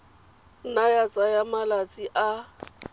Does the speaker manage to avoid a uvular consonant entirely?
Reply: yes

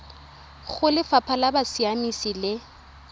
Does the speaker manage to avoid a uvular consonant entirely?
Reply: yes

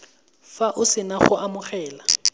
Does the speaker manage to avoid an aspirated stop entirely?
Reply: yes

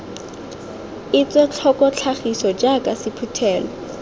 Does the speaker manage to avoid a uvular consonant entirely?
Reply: no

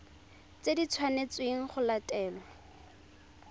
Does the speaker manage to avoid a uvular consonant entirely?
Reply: no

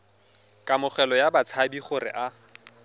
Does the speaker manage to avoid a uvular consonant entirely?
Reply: no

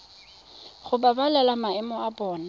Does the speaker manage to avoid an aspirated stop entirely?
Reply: yes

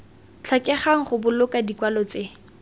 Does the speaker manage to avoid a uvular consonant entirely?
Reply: no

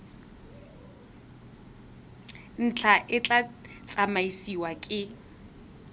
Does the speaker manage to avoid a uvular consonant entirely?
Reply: yes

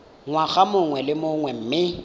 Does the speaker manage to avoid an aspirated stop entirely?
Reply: yes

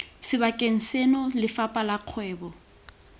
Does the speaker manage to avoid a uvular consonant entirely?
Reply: no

